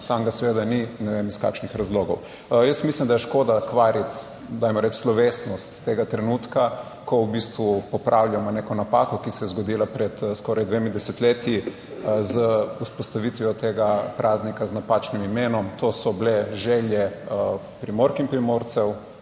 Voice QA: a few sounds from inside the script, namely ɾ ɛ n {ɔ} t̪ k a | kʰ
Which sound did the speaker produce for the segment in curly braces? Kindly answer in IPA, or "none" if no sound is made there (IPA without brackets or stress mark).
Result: u